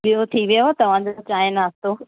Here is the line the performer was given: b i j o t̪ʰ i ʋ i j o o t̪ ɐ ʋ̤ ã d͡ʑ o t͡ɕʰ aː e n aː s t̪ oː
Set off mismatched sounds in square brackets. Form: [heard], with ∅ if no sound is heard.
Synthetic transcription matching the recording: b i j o t̪ʰ i ʋ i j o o t̪ ɐ ʋ̤ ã d͡ʑ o [t͡ɕ] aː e n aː s t̪ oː